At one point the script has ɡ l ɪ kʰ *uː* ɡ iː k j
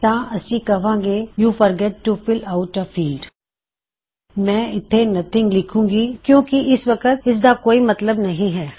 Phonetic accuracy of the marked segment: incorrect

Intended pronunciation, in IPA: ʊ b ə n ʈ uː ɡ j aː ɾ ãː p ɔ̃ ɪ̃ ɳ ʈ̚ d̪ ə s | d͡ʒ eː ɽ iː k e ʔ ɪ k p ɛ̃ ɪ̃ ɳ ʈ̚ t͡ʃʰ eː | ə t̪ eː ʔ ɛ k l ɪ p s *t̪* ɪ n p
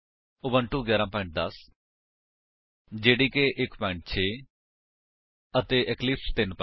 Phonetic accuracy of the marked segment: correct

